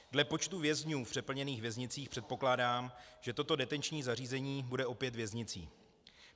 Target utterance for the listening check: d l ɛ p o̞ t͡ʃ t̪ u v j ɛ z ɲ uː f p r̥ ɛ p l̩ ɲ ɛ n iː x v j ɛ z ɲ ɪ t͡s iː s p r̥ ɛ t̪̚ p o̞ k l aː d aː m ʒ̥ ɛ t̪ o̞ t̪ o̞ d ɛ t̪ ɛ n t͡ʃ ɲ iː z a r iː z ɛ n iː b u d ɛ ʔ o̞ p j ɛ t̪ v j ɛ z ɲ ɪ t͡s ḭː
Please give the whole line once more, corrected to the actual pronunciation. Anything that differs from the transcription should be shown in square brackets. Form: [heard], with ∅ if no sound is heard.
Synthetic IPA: d l ɛ p o̞ t͡ʃ t̪ u v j ɛ z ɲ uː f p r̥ ɛ p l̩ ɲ ɛ n iː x v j ɛ z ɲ ɪ t͡s iː [x] p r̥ ɛ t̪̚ p o̞ k l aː d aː m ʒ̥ ɛ t̪ o̞ t̪ o̞ d ɛ t̪ ɛ n t͡ʃ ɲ iː z a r iː z ɛ [ɲ] iː b u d ɛ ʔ o̞ p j ɛ t̪ v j ɛ z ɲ ɪ t͡s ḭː